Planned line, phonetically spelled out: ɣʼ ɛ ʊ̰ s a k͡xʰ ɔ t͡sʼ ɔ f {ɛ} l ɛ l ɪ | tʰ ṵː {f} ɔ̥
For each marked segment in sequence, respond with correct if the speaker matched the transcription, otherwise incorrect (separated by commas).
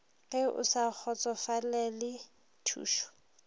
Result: incorrect, incorrect